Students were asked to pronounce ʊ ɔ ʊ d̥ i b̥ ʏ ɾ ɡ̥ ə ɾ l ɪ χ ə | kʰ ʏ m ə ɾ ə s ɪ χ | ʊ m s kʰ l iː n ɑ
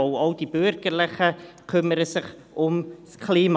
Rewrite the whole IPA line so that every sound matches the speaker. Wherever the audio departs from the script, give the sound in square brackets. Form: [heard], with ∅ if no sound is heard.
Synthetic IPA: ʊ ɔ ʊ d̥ i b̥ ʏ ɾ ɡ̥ ə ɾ l ɪ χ ə | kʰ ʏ m ə ɾ ə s ɪ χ | ʊ m s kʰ l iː [m] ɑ